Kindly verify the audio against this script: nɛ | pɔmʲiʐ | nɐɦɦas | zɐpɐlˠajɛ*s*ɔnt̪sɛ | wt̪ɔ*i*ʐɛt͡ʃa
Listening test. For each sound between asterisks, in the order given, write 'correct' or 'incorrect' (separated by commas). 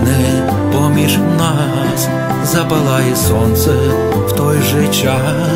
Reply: correct, incorrect